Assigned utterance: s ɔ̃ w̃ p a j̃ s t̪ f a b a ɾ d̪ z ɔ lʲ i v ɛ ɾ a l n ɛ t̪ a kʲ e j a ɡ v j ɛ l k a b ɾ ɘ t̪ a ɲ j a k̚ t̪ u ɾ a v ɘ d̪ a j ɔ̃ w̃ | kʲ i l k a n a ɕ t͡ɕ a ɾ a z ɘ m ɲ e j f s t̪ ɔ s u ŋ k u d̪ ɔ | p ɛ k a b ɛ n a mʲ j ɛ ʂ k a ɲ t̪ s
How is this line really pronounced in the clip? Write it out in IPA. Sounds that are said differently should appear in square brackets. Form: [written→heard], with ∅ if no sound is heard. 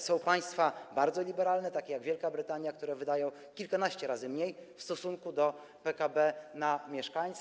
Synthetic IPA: s ɔ̃ w̃ p a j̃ s t̪ f a b a ɾ d̪ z ɔ lʲ i [v→b] ɛ ɾ a l n ɛ t̪ a kʲ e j a ɡ v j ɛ l k a b ɾ ɘ t̪ a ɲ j a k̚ t̪ u ɾ [a→ɛ] v ɘ d̪ a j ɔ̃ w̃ | kʲ i l k a n a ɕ t͡ɕ [a→ɛ] ɾ a z ɘ m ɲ e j f s t̪ ɔ s u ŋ k u d̪ ɔ | p ɛ k a b ɛ n a mʲ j ɛ ʂ k a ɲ t̪ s